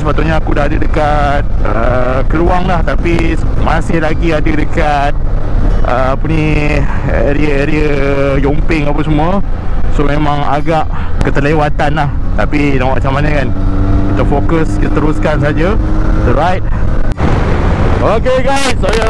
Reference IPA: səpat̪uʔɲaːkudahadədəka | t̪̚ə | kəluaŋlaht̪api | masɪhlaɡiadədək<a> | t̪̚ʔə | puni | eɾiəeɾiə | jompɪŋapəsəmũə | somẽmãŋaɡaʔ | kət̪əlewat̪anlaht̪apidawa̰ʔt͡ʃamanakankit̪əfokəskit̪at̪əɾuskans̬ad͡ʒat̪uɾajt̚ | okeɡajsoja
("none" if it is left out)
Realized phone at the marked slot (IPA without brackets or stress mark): a